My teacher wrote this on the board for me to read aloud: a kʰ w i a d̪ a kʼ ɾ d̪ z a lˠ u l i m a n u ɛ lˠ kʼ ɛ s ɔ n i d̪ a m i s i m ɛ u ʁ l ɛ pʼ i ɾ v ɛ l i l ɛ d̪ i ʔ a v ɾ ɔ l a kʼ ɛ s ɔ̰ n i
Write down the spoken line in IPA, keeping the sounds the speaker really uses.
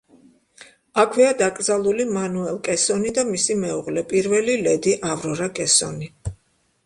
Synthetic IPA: a kʰ w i a d̪ a kʼ ɾ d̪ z a lˠ u l i m a n u ɛ lˠ kʼ ɛ s ɔ n i d̪ a m i s i m ɛ u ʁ l ɛ pʼ i ɾ v ɛ l i l ɛ d̪ i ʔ a v ɾ ɔ ɾ a kʼ ɛ s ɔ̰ n i